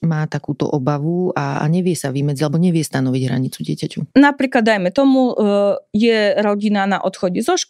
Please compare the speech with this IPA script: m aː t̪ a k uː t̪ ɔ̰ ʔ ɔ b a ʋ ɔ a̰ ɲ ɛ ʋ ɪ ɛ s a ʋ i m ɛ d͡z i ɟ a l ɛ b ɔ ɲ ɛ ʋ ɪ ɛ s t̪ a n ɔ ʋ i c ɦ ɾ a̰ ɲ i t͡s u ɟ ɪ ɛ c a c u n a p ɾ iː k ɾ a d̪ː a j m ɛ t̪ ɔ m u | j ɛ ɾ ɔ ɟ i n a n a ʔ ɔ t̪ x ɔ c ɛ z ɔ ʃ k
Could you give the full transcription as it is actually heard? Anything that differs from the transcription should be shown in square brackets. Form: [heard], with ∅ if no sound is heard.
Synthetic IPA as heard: m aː t̪ a k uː t̪ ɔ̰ ʔ ɔ b a ʋ [u] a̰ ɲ ɛ ʋ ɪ ɛ s a ʋ i m ɛ d͡z i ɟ a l ɛ b ɔ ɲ ɛ ʋ ɪ ɛ s t̪ a n ɔ ʋ i [ɟ] ɦ ɾ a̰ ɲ i t͡s u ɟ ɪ ɛ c a c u n a p ɾ iː k [l] a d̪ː a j m ɛ t̪ ɔ m u | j ɛ ɾ ɔ ɟ i n a n a ʔ ɔ t̪ x ɔ [ɟ] ɛ z ɔ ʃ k